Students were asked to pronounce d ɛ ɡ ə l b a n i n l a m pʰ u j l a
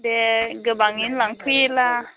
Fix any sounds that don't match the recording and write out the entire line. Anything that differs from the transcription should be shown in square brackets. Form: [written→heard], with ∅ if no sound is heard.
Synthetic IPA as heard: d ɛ ɡ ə [l→∅] b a [n→ŋ] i n l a [m→ŋ] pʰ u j l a